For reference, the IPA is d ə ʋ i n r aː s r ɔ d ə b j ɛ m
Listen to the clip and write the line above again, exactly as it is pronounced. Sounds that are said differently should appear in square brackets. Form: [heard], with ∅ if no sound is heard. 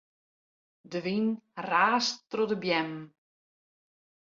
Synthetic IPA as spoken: d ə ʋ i n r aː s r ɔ d ə b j ɛ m

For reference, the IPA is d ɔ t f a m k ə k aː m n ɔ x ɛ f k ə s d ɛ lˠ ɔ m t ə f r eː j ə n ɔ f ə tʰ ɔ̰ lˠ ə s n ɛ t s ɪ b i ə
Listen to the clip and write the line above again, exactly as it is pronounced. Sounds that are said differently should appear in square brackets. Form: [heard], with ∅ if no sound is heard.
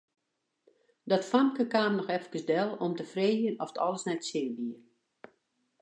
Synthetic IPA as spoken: d ɔ t f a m k ə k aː m n ɔ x ɛ f k ə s d ɛ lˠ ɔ m t ə f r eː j ə n ɔ f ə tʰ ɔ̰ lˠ ə s n ɛ t s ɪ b i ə

